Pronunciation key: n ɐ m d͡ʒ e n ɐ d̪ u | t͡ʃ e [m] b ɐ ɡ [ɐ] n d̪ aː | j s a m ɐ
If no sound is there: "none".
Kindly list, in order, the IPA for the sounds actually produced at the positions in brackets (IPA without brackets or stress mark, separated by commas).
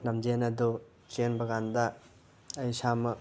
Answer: n, a